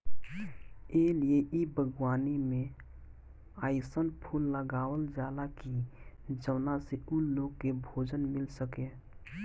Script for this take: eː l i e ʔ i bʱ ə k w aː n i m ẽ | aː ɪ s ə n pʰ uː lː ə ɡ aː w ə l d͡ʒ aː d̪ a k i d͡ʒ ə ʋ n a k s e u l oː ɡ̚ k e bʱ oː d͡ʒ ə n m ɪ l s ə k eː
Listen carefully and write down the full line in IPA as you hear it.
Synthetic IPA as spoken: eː l i e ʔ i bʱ ə ɡ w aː n i m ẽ | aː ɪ s ə n pʰ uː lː ə ɡ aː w ə l d͡ʒ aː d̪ a k i d͡ʒ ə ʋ n a s e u l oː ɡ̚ k e bʱ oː d͡ʒ ə n m ɪ l s ə k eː